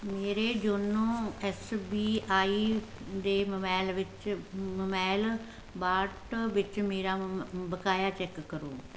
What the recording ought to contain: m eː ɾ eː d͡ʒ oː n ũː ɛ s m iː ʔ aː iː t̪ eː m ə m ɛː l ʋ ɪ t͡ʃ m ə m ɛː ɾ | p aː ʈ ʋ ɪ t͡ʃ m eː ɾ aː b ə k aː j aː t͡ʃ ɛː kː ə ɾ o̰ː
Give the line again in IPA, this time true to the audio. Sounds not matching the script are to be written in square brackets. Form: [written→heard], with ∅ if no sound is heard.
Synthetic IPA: m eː ɾ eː d͡ʒ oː n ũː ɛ s [m→b] iː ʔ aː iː [t̪→d̪] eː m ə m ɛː l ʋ ɪ t͡ʃ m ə m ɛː [ɾ→l] | [p→b] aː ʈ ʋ ɪ t͡ʃ m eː ɾ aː b ə k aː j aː t͡ʃ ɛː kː ə ɾ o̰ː